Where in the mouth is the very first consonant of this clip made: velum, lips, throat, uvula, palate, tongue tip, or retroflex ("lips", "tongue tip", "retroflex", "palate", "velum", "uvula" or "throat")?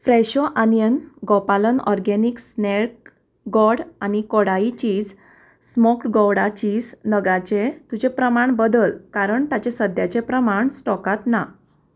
lips